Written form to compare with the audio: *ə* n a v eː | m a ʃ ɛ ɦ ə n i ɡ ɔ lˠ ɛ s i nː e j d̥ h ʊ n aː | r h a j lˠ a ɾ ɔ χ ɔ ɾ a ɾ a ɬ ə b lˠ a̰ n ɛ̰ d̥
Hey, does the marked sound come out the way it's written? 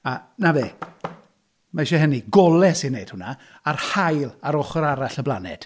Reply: no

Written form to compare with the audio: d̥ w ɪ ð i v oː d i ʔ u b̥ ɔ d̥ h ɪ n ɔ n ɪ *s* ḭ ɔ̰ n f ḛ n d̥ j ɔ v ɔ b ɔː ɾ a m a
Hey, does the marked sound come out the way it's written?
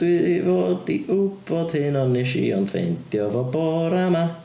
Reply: no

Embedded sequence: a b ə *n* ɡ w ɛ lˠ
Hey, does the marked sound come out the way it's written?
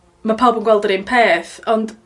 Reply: yes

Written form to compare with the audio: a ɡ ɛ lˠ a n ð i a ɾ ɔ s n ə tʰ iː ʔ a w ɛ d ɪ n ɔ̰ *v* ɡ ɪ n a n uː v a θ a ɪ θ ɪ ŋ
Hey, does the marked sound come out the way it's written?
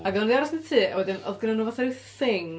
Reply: no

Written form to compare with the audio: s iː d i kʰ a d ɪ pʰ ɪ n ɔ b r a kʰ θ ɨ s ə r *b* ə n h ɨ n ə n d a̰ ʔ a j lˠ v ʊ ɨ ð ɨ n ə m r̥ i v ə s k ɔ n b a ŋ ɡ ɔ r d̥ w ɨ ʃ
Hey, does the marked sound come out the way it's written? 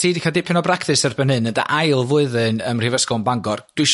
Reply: yes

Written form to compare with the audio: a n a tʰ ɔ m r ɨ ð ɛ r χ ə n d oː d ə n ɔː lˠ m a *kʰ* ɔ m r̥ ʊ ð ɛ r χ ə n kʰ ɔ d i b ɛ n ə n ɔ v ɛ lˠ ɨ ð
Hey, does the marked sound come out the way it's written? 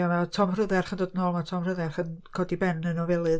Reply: no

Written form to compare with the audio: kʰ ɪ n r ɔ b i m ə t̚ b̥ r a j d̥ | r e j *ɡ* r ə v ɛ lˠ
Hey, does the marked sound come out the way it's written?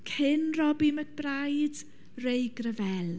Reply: yes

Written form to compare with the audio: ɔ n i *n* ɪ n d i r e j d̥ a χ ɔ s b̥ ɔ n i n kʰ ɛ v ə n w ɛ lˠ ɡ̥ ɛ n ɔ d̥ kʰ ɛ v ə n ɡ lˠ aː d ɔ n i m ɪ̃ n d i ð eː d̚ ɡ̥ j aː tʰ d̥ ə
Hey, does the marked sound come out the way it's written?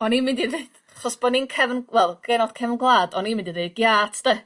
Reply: no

